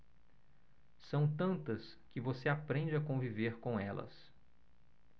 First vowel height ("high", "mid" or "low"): low